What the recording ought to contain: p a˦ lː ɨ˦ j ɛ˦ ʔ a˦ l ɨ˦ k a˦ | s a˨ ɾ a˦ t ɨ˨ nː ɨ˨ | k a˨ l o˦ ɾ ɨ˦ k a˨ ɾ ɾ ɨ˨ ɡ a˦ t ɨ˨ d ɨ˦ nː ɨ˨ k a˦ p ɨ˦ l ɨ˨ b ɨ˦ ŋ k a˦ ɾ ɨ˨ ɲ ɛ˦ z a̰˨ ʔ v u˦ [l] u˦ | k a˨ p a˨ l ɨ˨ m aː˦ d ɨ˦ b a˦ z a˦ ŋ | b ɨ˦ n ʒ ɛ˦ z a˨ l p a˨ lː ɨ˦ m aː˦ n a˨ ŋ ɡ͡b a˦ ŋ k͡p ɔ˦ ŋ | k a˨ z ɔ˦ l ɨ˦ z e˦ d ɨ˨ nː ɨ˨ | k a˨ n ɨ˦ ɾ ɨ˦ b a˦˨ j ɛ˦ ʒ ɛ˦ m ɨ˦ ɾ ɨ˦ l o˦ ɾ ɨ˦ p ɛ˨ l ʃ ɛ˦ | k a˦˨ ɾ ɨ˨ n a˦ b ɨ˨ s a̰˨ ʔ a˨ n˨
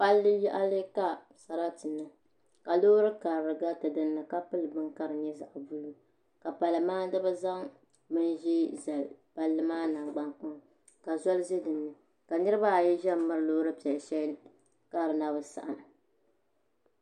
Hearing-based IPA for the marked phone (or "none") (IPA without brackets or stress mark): l